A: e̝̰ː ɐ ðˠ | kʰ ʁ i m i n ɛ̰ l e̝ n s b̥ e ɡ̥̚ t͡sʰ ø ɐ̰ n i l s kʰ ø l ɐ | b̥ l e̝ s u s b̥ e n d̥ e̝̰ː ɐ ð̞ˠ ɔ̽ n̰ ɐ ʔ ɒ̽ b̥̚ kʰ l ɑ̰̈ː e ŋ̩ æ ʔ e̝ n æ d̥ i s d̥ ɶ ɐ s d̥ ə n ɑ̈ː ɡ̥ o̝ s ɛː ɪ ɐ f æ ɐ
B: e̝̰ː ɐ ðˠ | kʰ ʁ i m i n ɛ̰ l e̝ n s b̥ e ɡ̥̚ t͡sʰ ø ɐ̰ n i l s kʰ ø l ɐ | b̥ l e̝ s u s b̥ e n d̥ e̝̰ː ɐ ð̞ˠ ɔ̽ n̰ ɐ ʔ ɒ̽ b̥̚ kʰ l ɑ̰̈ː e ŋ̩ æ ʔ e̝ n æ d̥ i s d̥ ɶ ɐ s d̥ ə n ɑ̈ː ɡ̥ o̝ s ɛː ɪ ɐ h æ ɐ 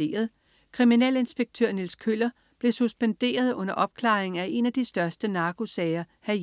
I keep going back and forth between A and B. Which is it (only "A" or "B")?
B